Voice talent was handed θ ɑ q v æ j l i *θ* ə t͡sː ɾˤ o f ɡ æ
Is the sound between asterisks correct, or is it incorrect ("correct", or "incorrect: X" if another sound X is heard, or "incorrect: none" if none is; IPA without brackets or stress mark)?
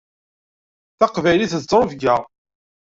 correct